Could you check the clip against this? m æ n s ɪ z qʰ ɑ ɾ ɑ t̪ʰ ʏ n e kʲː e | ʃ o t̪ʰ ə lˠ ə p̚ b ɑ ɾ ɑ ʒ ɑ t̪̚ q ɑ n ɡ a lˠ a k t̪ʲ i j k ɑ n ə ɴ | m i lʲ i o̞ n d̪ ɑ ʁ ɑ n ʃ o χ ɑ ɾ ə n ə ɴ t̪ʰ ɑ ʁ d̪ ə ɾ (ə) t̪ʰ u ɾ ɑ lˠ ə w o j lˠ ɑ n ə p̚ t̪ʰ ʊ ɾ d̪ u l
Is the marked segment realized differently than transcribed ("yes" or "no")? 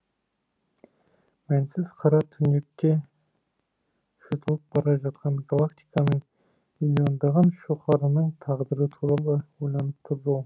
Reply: no